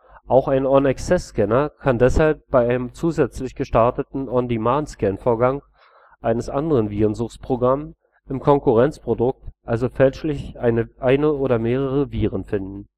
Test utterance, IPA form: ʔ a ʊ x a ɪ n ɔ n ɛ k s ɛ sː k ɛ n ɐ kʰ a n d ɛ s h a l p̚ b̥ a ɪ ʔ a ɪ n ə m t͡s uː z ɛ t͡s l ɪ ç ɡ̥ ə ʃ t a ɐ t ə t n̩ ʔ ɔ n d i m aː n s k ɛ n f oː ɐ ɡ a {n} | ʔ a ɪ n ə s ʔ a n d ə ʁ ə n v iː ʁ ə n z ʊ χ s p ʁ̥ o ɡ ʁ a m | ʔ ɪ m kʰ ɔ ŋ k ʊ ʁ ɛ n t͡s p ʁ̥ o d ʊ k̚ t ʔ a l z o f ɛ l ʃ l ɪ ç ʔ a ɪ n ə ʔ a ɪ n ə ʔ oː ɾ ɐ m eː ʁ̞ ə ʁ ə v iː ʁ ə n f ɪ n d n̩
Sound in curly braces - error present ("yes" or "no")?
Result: yes